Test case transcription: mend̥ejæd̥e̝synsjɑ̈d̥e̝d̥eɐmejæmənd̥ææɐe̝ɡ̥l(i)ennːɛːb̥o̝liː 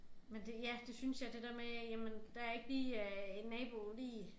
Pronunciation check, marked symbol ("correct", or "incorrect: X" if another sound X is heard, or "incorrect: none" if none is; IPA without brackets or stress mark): incorrect: iː